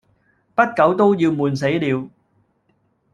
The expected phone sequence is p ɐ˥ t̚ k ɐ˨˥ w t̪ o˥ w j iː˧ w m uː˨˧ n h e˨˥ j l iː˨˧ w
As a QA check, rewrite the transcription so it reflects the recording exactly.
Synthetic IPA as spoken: p ɐ˥ t̚ k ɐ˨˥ w t̪ o˥ w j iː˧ w m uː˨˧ n s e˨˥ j l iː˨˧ w